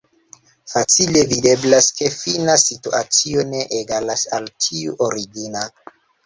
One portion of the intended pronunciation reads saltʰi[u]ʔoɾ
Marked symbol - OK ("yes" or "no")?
yes